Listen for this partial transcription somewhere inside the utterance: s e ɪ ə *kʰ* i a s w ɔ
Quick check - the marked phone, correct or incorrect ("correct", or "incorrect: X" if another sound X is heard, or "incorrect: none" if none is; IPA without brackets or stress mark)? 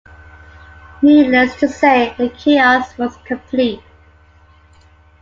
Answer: correct